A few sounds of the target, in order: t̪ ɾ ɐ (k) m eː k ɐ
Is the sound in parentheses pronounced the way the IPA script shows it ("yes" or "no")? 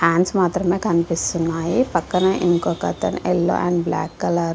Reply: no